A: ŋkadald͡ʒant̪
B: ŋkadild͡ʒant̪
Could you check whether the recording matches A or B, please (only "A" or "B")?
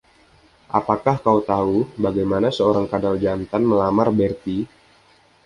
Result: A